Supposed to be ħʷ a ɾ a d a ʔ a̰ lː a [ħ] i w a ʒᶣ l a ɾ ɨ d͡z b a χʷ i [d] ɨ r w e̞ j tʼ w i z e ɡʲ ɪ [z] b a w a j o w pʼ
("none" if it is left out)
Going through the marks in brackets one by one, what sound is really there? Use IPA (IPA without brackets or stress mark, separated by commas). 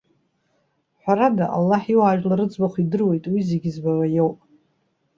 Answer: ħ, d, z